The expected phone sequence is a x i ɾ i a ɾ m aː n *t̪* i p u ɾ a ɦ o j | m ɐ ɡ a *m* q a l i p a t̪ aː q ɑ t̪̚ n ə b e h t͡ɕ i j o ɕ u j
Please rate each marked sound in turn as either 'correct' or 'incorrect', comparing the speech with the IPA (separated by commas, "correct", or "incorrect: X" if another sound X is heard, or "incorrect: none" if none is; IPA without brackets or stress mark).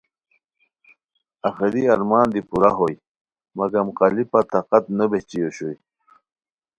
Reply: incorrect: d̪, correct